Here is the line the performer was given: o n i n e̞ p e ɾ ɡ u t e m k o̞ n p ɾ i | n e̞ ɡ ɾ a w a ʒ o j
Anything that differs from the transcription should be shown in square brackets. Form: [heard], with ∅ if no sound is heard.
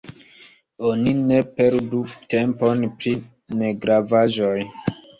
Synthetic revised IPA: o n i n e̞ p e ɾ [d] u t e m [p] o̞ n p ɾ i | n e̞ ɡ ɾ a [v] a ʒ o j